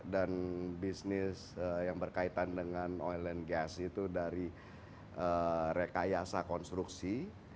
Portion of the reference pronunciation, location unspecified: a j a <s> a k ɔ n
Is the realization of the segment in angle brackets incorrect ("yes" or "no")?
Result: no